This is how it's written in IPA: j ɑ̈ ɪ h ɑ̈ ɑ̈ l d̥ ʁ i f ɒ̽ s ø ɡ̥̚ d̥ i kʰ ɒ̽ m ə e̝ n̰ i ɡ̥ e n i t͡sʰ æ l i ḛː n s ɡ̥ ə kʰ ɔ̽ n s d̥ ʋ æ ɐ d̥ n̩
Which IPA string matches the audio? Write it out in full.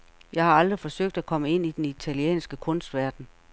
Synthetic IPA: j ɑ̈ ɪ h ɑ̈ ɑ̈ l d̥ ʁ i f ɒ̽ s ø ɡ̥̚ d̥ æ kʰ ɒ̽ m ə e̝ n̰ i d̥ e n i t͡sʰ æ l i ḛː n s ɡ̥ ə kʰ ɔ̽ n s d̥ ʋ æ ɐ d̥ n̩